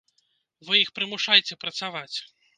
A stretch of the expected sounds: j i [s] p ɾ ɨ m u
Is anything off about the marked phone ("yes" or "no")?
yes